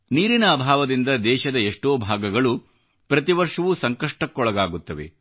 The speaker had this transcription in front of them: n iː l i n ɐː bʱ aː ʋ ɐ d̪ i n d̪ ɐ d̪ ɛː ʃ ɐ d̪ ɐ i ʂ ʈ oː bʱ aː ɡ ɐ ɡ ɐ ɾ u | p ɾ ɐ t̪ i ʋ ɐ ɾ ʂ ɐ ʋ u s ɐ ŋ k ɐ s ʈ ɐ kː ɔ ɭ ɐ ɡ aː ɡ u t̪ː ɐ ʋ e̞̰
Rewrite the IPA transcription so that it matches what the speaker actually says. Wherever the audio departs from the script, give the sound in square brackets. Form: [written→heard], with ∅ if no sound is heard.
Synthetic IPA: n iː [l→ɾ] i n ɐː bʱ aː ʋ ɐ d̪ i n d̪ ɐ d̪ ɛː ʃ ɐ d̪ ɐ [i→e] ʂ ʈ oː bʱ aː ɡ ɐ ɡ ɐ [ɾ→ɭ] u | p ɾ ɐ t̪ i ʋ ɐ ɾ ʂ ɐ ʋ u s ɐ ŋ k ɐ [s→ʂ] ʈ ɐ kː ɔ ɭ ɐ ɡ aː ɡ u t̪ː ɐ ʋ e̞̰